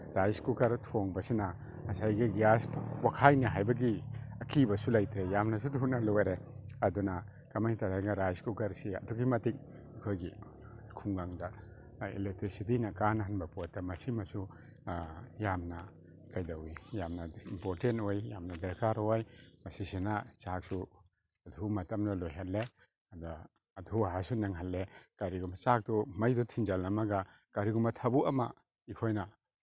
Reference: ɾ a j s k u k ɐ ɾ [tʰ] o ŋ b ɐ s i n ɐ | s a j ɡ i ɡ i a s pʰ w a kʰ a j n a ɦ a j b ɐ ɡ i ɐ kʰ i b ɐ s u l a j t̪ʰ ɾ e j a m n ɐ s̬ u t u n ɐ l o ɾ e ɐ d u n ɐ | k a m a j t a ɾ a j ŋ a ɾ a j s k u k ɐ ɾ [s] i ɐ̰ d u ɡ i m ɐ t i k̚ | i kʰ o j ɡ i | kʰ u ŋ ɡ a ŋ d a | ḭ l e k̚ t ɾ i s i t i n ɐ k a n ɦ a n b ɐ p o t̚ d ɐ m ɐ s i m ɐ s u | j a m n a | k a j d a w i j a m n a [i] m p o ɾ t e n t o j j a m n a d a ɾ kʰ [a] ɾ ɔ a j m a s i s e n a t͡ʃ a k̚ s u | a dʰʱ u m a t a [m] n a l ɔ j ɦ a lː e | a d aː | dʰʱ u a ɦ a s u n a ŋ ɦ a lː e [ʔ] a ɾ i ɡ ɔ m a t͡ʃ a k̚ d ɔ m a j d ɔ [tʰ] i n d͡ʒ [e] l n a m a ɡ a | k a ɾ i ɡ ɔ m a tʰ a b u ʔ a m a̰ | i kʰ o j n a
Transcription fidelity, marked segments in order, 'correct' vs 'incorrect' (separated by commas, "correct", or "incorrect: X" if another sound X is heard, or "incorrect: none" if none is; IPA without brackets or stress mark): correct, correct, correct, correct, correct, incorrect: k, correct, incorrect: a